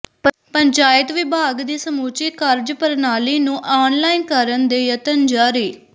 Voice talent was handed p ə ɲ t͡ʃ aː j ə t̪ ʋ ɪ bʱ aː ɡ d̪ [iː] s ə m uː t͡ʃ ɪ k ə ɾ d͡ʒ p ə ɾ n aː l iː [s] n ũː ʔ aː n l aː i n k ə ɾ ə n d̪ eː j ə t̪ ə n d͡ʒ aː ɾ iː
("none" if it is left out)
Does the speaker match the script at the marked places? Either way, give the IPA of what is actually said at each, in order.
iː, none

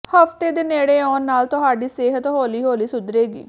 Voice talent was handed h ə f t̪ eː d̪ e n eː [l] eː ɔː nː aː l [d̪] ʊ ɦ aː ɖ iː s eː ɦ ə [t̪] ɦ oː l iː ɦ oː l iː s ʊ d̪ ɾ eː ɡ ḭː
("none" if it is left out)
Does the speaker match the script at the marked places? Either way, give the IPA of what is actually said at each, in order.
ɽ, t̪, t̪

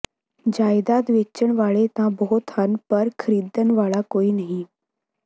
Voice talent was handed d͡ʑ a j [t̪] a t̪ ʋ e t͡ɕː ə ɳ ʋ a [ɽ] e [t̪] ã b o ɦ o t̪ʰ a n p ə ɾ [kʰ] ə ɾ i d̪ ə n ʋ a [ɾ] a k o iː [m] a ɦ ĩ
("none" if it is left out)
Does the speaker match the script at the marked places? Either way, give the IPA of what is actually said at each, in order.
d̪, ɭ, t̪, kʰ, ɭ, n

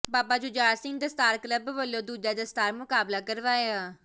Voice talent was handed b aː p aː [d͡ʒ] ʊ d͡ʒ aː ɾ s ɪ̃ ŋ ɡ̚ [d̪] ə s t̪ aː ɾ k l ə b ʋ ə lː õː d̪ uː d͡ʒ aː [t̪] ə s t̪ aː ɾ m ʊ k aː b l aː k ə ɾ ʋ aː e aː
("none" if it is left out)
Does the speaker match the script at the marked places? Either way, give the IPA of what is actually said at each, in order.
d͡ʒ, d̪, d̪

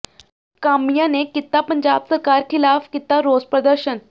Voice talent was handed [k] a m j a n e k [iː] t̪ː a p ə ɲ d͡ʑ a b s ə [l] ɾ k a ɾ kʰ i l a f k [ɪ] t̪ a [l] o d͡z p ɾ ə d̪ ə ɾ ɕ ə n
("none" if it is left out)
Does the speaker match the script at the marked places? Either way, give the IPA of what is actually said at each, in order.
k, i, none, i, ɾ

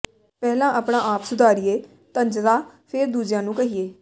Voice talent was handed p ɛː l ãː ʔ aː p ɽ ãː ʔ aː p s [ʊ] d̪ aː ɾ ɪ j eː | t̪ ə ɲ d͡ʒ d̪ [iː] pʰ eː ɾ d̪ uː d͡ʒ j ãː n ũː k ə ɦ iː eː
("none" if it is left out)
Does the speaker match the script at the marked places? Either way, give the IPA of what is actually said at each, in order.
ʊ, aː

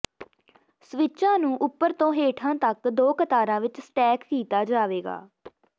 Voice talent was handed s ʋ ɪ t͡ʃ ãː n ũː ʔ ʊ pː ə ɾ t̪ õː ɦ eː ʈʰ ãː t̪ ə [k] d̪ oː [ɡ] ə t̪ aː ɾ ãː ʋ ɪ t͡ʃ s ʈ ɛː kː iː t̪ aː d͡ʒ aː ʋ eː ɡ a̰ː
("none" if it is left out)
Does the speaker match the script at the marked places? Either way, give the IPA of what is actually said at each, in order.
k, k

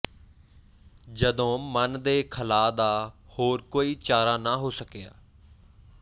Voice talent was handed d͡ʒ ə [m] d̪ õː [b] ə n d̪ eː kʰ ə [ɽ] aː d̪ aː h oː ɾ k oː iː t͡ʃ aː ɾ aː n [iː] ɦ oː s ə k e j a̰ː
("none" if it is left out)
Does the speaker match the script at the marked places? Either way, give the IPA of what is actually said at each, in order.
none, m, l, aː

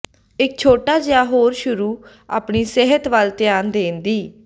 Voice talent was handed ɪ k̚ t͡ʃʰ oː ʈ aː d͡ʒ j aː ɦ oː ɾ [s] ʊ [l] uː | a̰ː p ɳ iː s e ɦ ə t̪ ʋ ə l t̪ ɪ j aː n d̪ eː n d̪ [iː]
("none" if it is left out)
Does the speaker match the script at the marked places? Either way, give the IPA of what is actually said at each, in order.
ʃ, ɾ, iː

